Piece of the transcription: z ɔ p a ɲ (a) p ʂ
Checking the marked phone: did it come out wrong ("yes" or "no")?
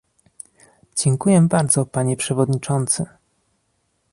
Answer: yes